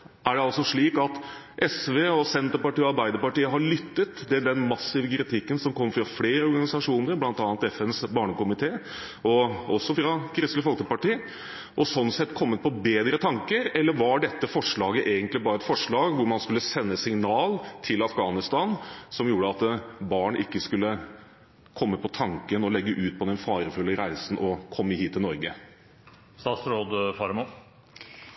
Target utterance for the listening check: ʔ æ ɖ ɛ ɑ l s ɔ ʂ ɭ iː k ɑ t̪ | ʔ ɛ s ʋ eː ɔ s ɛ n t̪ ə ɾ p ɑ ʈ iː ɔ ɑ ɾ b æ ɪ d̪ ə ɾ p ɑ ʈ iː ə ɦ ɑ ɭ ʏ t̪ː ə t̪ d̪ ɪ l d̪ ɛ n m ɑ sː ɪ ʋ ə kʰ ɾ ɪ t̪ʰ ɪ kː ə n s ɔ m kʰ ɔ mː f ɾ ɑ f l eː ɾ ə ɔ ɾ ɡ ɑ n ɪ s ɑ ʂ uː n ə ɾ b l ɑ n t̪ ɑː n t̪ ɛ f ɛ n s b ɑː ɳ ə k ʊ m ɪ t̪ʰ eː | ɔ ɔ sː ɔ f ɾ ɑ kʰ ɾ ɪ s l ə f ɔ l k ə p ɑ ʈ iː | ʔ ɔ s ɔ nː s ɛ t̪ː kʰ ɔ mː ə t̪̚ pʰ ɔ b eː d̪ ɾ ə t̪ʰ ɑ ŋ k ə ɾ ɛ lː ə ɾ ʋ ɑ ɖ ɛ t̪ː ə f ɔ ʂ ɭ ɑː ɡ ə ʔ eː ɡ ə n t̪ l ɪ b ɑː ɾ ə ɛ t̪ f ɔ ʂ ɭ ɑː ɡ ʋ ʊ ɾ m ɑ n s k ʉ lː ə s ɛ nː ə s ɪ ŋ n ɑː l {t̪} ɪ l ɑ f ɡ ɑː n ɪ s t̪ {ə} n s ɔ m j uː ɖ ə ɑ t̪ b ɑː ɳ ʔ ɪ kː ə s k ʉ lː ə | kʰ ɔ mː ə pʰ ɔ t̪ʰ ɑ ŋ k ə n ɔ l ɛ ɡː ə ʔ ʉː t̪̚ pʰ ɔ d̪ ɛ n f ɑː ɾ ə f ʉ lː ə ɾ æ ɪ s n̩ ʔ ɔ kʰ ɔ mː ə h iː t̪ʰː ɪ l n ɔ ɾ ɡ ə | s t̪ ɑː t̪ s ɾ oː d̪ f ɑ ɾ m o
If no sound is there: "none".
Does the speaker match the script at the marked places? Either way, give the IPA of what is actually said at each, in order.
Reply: t̪ʰ, ɑ

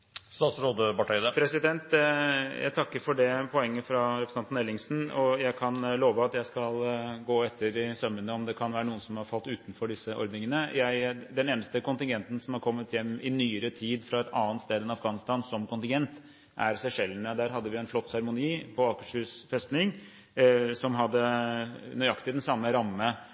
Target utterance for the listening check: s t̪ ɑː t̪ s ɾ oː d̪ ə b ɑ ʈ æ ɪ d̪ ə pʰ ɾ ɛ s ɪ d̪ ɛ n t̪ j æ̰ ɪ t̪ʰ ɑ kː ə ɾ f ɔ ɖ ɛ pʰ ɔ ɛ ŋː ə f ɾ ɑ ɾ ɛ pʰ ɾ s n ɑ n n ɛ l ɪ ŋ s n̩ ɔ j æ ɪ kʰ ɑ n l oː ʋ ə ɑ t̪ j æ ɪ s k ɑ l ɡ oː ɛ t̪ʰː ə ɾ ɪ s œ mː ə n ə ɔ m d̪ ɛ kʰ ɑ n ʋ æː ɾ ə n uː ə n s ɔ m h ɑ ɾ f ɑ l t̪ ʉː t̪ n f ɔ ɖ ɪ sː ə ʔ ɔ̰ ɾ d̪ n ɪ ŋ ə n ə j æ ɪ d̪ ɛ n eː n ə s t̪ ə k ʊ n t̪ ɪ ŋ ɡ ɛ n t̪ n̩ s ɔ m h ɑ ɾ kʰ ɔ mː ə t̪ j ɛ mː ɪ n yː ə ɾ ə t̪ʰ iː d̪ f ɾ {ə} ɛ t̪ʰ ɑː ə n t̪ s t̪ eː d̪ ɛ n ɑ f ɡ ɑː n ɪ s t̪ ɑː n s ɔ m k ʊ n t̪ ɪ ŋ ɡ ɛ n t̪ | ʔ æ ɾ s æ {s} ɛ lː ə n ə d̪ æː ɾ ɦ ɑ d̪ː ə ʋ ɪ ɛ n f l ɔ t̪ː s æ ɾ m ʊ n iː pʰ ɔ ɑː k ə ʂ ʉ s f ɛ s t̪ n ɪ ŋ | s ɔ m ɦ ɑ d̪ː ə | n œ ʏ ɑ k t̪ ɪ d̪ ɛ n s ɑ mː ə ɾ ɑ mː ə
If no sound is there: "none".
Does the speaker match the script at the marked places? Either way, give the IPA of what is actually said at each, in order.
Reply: ɑ, ʂ

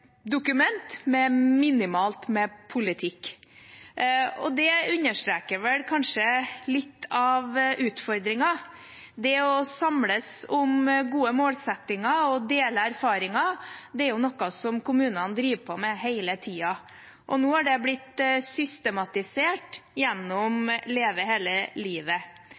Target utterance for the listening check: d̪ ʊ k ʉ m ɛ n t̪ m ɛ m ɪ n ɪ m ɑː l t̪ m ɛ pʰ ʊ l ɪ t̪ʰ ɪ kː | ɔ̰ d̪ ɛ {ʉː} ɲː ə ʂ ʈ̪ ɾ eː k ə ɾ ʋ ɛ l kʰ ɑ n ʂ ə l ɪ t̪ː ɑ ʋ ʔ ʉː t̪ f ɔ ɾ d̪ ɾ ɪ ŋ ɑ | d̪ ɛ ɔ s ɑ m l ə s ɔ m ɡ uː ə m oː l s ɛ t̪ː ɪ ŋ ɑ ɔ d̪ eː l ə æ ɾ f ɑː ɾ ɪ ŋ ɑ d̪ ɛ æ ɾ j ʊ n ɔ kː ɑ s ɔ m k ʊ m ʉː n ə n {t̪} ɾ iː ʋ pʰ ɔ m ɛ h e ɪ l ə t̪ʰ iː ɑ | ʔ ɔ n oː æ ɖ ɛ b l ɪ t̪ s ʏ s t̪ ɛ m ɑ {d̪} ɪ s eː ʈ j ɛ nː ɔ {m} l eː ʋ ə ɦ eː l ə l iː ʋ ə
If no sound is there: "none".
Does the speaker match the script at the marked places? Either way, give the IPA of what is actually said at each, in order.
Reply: ʉ, d̪, t̪, m

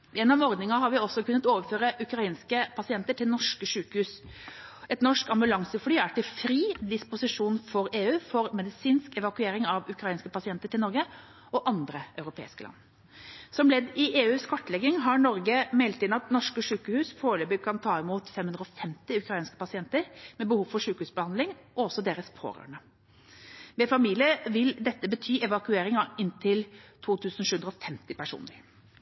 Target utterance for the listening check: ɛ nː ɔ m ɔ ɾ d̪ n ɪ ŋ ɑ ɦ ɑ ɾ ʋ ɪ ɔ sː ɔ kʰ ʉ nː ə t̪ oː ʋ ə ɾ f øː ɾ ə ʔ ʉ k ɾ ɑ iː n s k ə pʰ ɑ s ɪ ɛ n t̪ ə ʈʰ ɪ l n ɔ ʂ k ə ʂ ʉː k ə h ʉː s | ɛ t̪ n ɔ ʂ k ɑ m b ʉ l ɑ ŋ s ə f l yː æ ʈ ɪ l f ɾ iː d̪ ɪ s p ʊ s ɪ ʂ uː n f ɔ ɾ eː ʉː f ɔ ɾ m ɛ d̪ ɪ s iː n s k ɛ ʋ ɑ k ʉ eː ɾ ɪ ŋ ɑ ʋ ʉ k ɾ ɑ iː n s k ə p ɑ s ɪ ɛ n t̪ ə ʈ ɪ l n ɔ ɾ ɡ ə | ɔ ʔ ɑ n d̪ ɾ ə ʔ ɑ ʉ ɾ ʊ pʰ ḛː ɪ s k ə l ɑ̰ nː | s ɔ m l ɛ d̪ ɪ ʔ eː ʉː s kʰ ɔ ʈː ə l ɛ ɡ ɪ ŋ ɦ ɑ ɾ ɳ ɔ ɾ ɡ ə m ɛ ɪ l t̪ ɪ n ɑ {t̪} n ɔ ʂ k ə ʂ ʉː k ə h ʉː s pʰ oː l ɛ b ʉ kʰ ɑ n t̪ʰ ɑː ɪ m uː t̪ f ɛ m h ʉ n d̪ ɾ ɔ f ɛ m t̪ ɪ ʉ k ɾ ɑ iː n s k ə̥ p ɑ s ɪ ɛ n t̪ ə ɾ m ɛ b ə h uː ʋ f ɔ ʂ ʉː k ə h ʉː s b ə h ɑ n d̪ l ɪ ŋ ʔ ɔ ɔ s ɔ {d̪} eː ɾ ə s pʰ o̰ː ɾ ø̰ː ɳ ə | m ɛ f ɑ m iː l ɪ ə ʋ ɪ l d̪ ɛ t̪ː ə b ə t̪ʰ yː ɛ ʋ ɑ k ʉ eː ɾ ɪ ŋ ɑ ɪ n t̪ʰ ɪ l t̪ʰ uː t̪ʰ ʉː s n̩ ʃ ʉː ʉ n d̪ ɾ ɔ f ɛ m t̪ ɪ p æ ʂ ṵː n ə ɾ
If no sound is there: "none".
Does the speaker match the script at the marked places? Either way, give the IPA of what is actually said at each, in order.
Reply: t̪, d̪

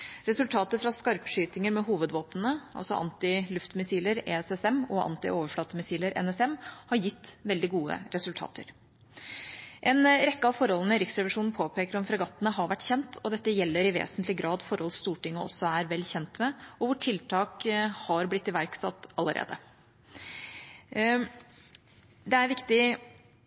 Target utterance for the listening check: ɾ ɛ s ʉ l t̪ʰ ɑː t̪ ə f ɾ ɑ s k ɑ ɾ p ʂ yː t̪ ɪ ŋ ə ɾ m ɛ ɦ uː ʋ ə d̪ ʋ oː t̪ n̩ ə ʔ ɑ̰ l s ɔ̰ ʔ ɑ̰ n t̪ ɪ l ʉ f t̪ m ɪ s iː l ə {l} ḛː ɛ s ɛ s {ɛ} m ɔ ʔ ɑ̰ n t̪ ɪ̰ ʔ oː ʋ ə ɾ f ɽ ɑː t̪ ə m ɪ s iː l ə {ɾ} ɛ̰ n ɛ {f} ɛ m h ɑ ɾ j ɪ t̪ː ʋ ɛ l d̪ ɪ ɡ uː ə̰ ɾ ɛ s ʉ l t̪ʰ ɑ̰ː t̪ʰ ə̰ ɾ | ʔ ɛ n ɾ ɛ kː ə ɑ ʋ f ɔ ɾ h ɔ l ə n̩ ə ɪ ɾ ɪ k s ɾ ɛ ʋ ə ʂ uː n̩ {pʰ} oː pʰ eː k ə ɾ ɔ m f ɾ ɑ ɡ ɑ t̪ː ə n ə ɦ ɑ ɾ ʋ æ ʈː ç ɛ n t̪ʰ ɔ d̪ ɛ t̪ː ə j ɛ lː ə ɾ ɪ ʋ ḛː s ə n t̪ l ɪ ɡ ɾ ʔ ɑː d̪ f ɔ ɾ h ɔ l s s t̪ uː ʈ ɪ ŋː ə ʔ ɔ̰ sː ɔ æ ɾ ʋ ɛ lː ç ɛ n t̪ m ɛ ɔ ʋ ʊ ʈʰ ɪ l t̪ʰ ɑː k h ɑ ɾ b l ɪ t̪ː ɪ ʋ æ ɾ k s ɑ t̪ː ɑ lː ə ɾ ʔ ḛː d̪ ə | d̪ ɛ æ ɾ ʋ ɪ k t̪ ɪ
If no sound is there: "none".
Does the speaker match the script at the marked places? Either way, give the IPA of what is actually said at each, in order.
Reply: ɾ, ɛ, ɾ, s, pʰ

